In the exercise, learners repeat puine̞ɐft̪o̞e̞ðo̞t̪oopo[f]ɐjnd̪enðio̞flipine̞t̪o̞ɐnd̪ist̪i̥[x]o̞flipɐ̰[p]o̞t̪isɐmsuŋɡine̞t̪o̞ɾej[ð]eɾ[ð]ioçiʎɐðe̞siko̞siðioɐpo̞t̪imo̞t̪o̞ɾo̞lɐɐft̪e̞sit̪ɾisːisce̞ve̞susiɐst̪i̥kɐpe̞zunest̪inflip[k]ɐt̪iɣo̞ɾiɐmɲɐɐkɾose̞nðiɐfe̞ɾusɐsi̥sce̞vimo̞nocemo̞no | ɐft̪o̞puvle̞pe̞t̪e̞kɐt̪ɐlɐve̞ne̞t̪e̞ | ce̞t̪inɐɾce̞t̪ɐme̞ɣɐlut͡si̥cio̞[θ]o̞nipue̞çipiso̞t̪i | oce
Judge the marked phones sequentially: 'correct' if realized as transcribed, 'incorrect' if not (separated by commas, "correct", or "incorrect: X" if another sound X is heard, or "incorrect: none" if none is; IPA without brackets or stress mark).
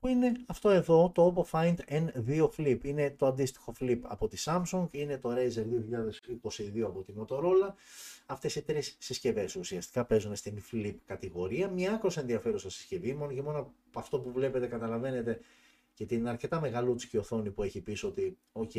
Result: correct, correct, correct, incorrect: z, correct, correct, correct